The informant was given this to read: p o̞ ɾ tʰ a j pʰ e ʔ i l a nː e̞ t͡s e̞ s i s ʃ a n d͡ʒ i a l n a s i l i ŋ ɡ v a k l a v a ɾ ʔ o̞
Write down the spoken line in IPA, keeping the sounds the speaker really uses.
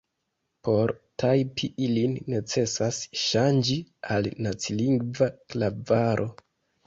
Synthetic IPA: p o̞ ɾ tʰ a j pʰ i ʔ i l i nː e̞ t͡s e̞ s a s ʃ a n d͡ʒ i a l n a t͡s i l i ŋ ɡ v a k l a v a ɾ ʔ o̞